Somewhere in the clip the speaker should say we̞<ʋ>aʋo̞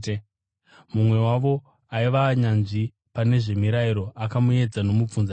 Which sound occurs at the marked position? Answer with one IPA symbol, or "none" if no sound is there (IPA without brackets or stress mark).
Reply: w